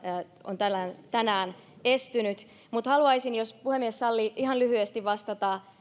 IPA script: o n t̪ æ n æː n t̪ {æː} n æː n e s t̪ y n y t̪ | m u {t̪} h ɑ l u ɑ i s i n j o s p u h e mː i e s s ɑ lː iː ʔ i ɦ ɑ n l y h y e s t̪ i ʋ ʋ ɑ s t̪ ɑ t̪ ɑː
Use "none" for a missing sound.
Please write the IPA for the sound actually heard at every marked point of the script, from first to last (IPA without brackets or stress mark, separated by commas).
æ, t̪